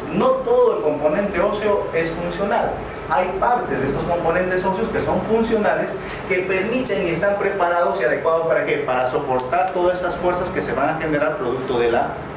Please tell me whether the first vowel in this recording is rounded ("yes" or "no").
yes